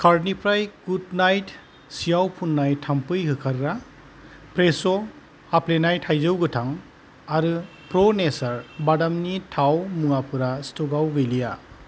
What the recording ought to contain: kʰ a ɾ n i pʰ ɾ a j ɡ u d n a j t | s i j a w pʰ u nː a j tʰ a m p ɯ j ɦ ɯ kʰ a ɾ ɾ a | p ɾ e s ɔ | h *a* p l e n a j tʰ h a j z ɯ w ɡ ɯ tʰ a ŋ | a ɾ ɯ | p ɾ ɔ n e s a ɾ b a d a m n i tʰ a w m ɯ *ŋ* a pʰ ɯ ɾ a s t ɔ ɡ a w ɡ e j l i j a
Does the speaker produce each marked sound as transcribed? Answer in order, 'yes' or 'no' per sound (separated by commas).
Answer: yes, yes